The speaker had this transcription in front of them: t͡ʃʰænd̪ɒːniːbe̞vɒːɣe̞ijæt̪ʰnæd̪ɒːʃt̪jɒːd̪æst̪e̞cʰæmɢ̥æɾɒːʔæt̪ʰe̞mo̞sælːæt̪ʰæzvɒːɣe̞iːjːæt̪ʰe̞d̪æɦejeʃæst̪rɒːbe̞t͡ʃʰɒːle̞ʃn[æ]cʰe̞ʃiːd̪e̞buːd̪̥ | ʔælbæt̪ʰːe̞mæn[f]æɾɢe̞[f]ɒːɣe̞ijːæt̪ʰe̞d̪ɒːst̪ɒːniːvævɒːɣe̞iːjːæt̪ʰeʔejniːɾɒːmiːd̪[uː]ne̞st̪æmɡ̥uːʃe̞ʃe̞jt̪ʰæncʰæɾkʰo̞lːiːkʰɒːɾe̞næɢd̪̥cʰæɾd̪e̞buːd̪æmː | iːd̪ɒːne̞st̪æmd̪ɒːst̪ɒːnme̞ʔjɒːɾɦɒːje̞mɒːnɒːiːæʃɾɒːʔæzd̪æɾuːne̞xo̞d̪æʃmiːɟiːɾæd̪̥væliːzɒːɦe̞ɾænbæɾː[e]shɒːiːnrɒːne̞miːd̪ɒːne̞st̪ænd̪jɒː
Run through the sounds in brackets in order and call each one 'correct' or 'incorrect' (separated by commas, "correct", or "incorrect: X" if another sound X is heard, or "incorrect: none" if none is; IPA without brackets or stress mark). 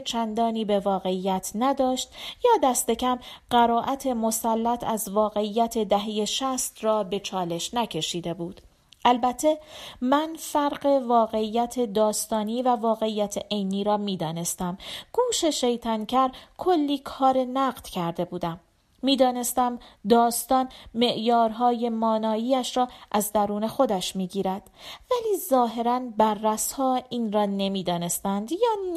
correct, correct, incorrect: v, incorrect: ɒː, incorrect: æ